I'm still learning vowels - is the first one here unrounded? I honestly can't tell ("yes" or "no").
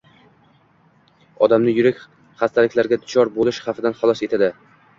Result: no